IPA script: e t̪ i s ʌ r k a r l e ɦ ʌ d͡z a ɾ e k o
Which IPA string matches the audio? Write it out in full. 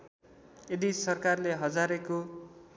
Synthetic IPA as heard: e d̪ i s ʌ r k a r l e ɦ ʌ d͡z a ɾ e k o